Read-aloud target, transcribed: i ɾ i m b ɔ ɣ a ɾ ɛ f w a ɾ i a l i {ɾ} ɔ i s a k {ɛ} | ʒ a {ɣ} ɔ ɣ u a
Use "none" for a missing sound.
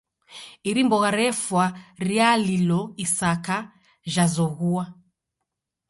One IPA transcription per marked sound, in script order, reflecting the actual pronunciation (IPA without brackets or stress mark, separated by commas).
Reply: l, a, z